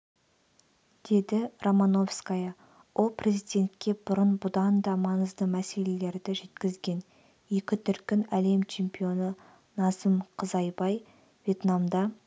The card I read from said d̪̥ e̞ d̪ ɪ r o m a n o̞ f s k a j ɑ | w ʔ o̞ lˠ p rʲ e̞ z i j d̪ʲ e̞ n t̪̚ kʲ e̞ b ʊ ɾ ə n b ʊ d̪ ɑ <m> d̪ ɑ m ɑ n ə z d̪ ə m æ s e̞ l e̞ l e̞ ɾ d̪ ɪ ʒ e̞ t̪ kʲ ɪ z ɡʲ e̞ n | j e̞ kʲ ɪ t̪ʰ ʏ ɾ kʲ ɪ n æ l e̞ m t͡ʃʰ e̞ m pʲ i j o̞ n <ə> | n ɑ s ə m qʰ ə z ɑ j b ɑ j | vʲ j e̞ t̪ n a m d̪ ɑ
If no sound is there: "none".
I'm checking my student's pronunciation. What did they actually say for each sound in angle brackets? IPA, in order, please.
n, ə

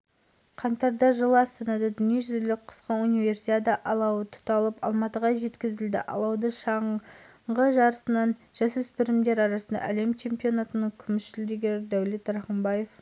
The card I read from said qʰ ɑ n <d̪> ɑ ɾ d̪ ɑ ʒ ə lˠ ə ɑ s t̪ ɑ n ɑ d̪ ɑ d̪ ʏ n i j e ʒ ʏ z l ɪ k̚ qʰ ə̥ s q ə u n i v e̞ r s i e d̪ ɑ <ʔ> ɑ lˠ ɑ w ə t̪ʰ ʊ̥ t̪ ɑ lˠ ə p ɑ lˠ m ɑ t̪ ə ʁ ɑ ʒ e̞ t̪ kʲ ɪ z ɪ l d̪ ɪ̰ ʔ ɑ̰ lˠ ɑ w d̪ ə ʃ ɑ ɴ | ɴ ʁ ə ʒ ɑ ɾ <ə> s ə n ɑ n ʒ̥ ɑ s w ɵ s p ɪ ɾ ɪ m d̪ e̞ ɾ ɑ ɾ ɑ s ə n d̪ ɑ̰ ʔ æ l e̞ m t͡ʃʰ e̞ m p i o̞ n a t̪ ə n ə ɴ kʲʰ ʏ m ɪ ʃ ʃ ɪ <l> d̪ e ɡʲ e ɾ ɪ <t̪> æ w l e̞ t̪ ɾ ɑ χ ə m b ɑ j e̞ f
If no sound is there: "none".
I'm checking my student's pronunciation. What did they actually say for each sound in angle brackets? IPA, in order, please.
t̪, ʔ, ə, l, d̪

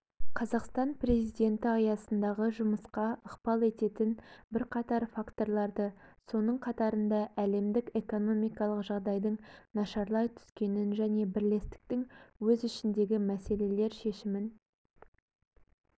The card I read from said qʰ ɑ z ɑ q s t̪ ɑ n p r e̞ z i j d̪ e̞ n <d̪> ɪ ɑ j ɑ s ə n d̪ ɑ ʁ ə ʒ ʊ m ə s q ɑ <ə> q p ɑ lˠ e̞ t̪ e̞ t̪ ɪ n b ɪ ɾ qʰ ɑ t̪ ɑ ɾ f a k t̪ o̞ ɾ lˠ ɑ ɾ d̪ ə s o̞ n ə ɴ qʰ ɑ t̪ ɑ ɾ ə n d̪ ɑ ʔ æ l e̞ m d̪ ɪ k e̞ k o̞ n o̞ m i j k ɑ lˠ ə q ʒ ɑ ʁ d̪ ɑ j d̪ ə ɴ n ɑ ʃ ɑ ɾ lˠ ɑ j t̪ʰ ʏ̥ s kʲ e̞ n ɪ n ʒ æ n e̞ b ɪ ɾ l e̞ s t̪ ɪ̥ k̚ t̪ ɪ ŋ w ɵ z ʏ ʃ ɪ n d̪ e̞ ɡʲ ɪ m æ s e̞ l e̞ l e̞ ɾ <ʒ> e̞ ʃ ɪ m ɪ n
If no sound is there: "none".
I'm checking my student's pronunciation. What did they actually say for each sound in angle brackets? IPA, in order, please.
t̪, ə, ʃ

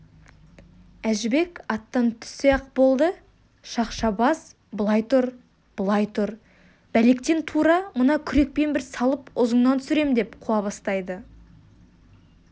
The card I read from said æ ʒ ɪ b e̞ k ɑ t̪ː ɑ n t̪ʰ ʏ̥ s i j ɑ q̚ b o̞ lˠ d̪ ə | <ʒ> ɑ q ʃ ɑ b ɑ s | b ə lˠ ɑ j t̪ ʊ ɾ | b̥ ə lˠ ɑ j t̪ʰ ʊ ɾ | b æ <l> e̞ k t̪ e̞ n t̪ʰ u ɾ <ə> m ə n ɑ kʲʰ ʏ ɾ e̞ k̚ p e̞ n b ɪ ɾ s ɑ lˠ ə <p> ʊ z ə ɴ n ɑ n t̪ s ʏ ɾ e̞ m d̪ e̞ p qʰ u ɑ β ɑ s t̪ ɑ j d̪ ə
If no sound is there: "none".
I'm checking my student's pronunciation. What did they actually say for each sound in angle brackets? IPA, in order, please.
ʃ, l, ɑ, p

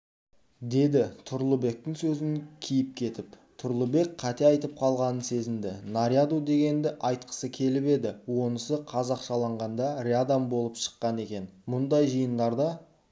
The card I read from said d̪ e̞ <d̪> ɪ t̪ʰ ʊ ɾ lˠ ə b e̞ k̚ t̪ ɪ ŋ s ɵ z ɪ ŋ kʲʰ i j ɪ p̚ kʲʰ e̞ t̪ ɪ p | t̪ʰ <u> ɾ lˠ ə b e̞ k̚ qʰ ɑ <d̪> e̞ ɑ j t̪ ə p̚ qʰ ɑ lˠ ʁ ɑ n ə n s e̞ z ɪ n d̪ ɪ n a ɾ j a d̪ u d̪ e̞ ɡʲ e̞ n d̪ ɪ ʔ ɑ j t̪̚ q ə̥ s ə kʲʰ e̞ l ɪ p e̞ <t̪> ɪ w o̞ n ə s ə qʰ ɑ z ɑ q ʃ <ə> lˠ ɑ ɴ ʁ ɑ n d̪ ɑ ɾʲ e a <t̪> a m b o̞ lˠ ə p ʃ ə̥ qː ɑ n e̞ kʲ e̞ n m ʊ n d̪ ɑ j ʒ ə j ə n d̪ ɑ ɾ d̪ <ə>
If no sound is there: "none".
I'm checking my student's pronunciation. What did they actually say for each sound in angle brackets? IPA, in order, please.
d̪, ʊ, t̪, d̪, ɑ, d̪, ɑ

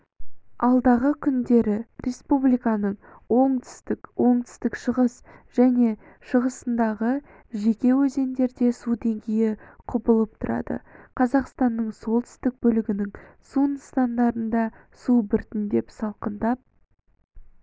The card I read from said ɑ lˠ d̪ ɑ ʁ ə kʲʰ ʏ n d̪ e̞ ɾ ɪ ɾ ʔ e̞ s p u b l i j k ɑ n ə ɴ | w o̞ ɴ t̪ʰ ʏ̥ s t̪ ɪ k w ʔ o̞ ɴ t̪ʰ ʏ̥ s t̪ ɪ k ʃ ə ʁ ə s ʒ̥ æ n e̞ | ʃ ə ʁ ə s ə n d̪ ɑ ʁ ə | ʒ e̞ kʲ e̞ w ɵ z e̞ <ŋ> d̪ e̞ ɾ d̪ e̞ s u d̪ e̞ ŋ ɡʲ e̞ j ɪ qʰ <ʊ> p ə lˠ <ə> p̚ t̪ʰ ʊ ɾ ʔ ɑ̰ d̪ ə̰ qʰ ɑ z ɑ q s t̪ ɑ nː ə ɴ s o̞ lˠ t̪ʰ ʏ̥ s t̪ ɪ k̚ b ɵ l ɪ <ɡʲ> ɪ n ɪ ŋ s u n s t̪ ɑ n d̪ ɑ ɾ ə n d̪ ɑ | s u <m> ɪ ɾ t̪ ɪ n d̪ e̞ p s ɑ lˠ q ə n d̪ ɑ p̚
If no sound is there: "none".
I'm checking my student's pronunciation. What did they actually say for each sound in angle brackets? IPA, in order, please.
n, ʊ, ə, ɡʲ, b

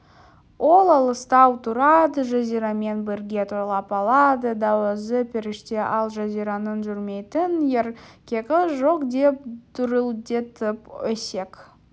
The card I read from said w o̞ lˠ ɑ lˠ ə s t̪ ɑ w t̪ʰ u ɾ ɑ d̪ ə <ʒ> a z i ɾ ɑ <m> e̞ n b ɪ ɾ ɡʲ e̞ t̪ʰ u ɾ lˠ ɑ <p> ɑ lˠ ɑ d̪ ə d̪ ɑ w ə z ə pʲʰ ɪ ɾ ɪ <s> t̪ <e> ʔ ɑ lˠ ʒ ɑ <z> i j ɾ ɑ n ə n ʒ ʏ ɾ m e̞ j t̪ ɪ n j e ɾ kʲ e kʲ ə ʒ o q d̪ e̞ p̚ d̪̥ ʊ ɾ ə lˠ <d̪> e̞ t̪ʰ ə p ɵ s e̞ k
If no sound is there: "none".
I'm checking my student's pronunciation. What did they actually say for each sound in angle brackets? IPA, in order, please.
ʒ, m, p, ʃ, e, z, d̪

